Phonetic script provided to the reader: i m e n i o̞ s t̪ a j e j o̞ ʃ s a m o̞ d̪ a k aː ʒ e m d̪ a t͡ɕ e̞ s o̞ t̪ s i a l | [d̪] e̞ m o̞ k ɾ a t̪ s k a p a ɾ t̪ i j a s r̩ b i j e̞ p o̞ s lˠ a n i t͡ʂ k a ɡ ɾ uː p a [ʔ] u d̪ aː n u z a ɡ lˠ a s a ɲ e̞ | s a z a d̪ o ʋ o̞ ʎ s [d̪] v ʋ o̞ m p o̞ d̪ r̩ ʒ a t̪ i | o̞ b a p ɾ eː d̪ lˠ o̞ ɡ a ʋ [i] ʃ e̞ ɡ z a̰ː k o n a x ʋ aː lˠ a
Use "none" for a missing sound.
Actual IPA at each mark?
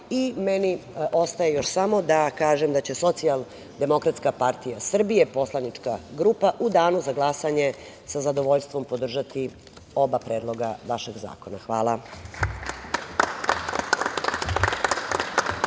d̪, ʔ, t̪, a

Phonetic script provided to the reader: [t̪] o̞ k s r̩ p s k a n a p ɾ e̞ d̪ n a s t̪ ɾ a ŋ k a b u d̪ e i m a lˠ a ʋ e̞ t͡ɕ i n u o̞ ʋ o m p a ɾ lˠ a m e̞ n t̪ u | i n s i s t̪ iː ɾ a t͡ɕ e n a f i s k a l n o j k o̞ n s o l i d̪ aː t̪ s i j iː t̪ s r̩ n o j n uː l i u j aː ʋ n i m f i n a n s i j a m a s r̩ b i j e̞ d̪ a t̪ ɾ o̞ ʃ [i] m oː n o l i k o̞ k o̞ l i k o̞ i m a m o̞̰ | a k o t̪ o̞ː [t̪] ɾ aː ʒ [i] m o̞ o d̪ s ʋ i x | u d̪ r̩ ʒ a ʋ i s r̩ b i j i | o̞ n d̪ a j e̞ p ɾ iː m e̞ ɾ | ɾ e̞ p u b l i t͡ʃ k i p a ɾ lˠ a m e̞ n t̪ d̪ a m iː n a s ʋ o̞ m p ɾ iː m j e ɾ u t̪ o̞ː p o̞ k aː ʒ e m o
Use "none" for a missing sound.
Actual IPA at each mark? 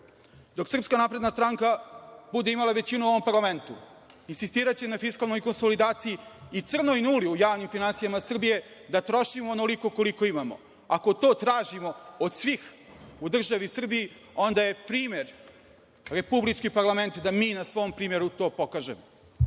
d̪, i, t̪, i

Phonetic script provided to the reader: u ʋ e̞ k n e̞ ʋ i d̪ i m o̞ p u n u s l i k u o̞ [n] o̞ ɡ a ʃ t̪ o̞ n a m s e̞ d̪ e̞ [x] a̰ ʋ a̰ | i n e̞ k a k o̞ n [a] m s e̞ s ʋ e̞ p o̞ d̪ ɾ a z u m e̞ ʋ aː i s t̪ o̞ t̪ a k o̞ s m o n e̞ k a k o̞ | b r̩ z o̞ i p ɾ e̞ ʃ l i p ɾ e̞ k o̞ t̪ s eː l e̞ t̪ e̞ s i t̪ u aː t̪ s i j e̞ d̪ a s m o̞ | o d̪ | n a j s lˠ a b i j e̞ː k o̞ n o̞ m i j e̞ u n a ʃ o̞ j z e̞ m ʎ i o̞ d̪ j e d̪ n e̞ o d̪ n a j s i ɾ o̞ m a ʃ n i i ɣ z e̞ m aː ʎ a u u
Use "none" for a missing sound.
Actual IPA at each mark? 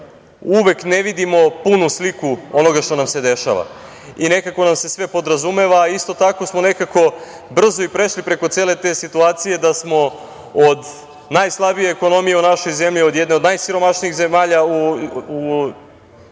n, ʃ, a

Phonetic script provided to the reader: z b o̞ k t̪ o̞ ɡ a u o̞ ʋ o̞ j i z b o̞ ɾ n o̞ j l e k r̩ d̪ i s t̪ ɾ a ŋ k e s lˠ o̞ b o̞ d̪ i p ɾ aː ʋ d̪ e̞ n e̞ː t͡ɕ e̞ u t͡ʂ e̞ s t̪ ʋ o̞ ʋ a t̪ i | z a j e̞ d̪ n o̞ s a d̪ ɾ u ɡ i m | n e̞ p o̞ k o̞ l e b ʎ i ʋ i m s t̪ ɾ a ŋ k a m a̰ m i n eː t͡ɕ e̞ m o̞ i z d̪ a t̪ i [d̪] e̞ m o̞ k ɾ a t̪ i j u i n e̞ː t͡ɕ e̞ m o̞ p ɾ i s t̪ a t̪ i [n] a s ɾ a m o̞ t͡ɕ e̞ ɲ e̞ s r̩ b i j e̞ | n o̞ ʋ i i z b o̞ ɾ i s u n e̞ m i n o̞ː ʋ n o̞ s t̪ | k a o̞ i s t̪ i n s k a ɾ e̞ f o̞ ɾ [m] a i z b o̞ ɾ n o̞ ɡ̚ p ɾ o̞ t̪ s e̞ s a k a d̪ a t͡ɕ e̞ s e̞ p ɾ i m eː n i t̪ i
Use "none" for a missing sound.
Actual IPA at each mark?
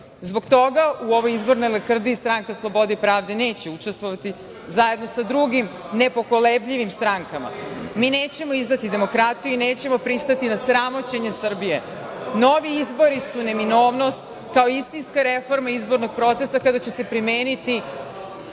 d̪, n, m

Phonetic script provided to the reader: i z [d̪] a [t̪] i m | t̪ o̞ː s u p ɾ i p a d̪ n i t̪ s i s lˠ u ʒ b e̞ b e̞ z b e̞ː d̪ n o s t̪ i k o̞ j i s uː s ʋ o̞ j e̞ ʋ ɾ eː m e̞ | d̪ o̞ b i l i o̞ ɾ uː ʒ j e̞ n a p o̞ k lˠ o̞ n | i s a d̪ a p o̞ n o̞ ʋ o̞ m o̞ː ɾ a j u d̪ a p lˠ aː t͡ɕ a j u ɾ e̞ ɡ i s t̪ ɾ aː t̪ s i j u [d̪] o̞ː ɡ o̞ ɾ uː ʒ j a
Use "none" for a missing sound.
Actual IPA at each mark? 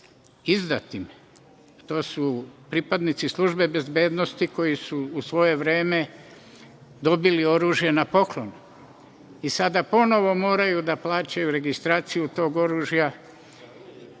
d̪, t̪, t̪

